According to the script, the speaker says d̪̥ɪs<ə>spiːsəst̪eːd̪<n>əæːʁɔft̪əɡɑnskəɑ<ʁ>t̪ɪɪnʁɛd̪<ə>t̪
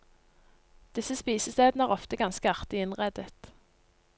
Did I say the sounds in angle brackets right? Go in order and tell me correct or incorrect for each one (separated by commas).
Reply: correct, correct, correct, correct